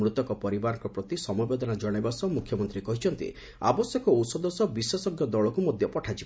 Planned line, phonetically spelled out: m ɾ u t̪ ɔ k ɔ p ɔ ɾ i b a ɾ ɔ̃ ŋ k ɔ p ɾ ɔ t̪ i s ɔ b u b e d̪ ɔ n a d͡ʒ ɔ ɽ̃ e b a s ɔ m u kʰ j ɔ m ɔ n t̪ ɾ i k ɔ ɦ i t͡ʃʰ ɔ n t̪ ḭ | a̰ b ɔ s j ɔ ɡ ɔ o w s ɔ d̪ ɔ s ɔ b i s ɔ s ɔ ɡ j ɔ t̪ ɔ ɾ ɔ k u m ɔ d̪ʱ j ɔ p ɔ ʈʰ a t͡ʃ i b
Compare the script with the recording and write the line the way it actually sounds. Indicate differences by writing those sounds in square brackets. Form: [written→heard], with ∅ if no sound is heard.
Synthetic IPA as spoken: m ɾ u t̪ ɔ k ɔ p ɔ ɾ i b a ɾ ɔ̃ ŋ k ɔ p ɾ ɔ t̪ i s ɔ [b→m] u b e d̪ ɔ n a d͡ʒ ɔ ɽ̃ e b a s ɔ m u kʰ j ɔ m ɔ n t̪ ɾ i k ɔ ɦ i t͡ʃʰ ɔ n t̪ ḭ | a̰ b ɔ s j ɔ [ɡ→k] ɔ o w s ɔ d̪ ɔ s ɔ b i s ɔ s ɔ ɡ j ɔ [t̪→d̪] ɔ [ɾ→ɭ] ɔ k u m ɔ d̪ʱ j ɔ p ɔ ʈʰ a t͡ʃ i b